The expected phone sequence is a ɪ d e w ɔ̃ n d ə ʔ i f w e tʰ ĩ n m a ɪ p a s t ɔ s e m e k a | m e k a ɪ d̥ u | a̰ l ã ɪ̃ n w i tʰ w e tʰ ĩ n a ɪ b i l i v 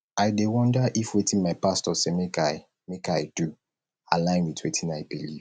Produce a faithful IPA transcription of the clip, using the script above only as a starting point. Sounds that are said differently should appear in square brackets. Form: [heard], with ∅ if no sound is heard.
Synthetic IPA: a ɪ d e w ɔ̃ n d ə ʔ i f w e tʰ ĩ n m a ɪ p a s t ɔ s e m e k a | m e k a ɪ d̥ u | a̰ l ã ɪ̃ n w i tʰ w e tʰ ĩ n a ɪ b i l i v